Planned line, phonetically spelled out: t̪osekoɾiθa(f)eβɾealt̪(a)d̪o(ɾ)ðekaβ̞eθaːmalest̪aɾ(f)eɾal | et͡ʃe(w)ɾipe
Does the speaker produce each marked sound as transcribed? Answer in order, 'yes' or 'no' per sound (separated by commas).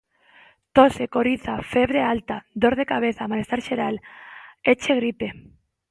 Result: yes, yes, yes, no, no